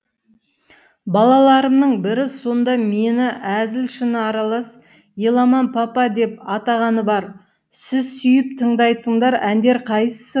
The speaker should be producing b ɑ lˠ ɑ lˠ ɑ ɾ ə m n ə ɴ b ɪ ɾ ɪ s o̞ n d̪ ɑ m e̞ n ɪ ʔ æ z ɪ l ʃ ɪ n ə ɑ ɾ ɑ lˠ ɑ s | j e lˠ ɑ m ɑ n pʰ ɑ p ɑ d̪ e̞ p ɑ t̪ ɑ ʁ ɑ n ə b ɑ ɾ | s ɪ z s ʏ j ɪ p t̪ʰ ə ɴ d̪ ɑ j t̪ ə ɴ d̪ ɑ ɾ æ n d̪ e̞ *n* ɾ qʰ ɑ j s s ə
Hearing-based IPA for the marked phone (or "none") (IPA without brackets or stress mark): none